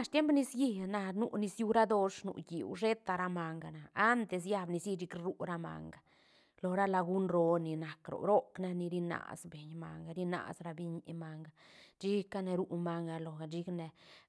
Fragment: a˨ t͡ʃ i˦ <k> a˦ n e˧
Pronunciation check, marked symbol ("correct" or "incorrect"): correct